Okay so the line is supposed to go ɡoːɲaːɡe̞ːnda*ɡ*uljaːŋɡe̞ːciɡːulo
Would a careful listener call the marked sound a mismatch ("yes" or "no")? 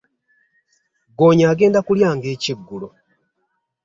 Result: yes